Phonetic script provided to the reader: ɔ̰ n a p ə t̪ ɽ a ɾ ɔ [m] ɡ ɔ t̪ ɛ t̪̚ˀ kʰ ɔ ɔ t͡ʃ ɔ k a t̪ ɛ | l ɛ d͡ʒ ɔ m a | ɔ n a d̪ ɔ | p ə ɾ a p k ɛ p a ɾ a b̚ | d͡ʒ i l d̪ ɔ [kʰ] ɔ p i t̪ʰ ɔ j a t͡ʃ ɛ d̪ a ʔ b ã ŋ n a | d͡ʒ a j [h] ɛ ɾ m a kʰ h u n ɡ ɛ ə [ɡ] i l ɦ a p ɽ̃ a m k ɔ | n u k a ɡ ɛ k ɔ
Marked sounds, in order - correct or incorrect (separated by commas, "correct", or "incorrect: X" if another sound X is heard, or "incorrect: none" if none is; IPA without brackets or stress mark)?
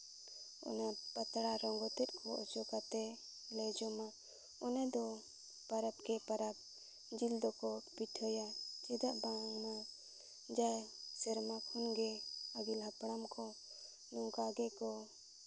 incorrect: ŋ, incorrect: k, incorrect: s, correct